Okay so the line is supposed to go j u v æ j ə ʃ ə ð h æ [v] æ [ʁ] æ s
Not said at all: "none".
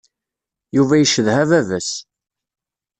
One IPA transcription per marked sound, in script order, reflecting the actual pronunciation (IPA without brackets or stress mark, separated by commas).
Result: v, v